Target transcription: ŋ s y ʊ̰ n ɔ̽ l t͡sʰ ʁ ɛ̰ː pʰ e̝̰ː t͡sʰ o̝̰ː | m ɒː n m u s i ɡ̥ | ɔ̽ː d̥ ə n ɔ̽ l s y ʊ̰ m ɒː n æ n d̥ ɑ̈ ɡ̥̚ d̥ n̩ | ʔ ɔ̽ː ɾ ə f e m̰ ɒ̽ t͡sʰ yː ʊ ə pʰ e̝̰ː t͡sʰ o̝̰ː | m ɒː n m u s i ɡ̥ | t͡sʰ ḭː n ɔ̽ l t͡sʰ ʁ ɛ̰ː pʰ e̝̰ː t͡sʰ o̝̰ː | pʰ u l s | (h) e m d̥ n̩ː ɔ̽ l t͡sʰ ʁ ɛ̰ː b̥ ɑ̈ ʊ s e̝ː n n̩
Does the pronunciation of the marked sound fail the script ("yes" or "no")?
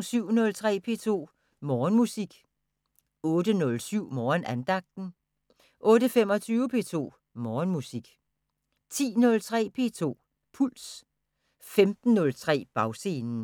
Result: yes